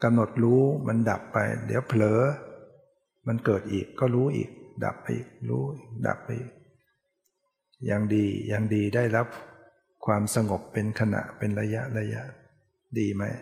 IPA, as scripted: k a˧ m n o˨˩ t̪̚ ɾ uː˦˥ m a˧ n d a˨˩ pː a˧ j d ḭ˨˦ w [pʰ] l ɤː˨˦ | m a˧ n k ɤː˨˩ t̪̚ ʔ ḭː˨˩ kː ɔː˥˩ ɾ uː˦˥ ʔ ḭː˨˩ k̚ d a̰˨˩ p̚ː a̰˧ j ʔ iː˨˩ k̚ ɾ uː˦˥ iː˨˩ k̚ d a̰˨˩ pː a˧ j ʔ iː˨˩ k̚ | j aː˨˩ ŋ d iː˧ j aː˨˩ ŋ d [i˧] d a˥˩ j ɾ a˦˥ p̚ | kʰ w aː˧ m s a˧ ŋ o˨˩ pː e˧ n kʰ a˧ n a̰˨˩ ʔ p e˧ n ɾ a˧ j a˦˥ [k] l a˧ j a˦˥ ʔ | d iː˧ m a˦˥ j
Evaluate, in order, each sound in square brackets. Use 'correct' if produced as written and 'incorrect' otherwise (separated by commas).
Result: correct, incorrect, incorrect